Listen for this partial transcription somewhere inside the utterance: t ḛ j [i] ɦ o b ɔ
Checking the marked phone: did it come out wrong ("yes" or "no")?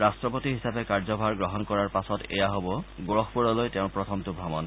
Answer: yes